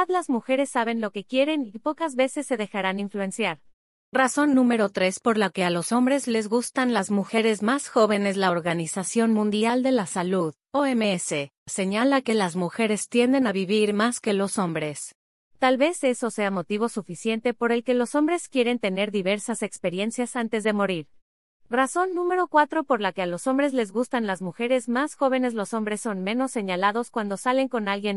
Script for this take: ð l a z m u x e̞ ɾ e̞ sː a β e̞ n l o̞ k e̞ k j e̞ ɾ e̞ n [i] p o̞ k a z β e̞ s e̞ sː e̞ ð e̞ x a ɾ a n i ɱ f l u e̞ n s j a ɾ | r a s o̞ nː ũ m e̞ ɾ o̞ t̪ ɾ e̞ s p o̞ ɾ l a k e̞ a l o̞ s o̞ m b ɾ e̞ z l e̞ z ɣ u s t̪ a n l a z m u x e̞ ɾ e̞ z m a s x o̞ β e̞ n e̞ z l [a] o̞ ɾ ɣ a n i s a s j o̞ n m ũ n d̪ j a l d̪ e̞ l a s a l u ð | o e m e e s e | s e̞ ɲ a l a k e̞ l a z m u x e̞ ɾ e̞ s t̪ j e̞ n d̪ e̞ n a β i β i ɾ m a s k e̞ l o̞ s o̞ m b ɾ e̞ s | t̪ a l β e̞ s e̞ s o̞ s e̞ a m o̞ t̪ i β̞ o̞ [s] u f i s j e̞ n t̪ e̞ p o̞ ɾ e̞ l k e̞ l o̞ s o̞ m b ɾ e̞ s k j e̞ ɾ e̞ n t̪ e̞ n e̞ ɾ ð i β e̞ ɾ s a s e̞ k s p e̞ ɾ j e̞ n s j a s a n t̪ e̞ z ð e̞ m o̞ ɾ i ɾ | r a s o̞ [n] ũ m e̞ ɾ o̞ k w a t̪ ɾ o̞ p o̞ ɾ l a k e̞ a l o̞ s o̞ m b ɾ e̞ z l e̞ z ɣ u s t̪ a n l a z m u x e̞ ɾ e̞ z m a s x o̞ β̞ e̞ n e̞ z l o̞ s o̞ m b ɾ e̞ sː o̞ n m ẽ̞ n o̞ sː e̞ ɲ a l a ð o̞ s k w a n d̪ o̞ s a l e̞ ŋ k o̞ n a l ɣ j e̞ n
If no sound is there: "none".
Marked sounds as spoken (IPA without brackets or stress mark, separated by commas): i, a, s, nː